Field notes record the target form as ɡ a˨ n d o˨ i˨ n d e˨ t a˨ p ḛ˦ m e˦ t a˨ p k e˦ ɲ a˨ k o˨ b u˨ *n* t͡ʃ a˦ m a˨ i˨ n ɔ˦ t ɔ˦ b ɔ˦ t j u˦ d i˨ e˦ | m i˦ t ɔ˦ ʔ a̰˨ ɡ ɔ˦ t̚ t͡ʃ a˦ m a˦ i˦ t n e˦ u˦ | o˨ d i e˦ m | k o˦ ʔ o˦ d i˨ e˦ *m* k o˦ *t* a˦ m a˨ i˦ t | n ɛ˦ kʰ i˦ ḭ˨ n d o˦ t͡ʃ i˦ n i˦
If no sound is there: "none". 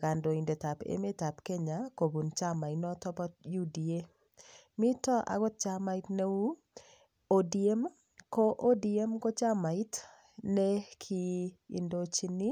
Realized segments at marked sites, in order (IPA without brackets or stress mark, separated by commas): n, m, t͡ʃ